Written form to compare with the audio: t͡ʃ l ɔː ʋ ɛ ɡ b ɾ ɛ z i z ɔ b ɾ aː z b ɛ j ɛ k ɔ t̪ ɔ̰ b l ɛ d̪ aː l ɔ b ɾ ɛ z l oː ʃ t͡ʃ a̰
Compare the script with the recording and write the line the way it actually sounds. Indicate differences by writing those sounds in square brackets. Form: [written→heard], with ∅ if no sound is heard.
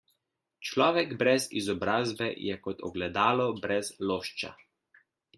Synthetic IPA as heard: t͡ʃ l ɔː ʋ ɛ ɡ b ɾ ɛ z i z ɔ b ɾ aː z b ɛ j ɛ k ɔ t̪ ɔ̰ [b→ɡ] l ɛ d̪ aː l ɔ b ɾ ɛ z l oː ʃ t͡ʃ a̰